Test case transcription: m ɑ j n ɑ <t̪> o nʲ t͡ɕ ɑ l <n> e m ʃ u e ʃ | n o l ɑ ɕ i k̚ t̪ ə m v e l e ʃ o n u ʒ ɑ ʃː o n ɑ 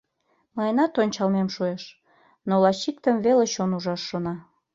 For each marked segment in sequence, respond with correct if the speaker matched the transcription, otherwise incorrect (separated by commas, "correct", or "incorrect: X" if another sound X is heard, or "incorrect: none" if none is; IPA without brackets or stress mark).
correct, incorrect: m